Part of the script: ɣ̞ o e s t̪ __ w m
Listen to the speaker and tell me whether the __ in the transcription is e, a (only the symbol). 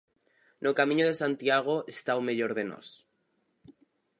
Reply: a